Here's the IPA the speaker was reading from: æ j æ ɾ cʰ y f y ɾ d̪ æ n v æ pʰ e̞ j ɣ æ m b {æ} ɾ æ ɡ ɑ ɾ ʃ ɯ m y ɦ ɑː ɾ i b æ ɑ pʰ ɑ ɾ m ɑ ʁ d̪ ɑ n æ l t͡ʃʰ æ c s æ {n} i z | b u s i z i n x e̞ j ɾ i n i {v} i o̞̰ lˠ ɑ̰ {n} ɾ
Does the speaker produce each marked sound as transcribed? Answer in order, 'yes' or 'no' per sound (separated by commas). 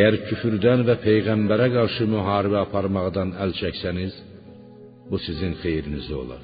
yes, yes, no, no